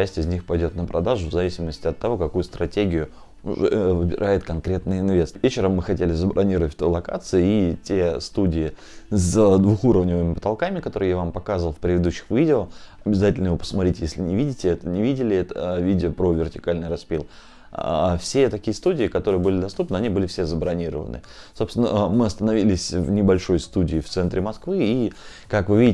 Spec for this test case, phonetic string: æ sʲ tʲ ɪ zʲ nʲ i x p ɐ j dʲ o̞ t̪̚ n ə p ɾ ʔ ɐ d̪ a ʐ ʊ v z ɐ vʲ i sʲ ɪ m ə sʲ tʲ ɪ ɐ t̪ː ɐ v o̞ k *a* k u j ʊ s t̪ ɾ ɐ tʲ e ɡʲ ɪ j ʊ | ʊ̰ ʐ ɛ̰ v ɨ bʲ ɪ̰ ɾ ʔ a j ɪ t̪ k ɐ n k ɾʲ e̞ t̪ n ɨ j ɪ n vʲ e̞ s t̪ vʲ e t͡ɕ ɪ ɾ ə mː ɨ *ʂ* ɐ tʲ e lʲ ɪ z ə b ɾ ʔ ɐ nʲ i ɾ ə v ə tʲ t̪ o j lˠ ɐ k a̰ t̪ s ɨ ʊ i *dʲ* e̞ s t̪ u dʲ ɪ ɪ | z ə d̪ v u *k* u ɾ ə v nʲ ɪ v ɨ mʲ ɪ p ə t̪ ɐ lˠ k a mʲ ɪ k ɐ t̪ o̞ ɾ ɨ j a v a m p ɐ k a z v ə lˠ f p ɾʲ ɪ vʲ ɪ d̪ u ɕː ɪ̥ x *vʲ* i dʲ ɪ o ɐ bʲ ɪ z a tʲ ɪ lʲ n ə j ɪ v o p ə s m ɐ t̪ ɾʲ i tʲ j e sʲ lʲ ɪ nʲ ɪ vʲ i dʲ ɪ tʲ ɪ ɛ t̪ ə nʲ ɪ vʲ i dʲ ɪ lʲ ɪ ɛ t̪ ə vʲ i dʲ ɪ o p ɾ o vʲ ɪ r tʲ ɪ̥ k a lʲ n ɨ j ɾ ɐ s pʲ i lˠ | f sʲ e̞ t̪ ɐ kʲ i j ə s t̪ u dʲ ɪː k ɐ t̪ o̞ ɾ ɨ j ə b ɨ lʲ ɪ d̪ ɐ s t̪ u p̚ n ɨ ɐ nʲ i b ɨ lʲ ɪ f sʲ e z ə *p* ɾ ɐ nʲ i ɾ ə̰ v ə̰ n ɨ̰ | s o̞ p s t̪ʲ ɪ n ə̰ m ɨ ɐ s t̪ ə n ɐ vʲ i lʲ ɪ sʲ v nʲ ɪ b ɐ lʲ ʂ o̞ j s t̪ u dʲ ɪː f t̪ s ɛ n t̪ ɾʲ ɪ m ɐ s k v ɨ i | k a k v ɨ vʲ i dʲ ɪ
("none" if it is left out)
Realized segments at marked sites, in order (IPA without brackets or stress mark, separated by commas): ɐ, x, tʲ, x, vʲ, b